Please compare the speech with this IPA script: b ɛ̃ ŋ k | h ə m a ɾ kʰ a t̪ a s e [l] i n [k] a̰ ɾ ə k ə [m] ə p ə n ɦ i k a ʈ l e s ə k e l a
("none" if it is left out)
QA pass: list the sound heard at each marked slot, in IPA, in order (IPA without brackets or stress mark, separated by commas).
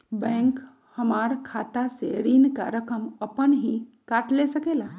ɾ, k, m